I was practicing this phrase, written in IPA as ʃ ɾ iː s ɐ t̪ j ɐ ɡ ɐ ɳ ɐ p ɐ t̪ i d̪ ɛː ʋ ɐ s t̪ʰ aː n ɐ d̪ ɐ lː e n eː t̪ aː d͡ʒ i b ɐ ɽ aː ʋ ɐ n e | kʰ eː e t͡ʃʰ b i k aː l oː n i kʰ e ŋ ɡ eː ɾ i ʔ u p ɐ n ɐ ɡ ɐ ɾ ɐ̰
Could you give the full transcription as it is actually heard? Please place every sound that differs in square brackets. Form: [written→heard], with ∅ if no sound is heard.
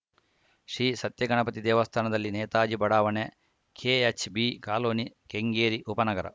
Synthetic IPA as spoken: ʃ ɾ iː s ɐ t̪ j ɐ ɡ ɐ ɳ ɐ p ɐ t̪ i d̪ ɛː ʋ ɐ s t̪ʰ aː n ɐ d̪ ɐ lː [e→i] n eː t̪ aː d͡ʒ i b ɐ ɽ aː ʋ ɐ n e | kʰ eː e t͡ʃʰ b i k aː l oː n i [kʰ→k] e ŋ ɡ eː ɾ i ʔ u p ɐ n ɐ ɡ ɐ ɾ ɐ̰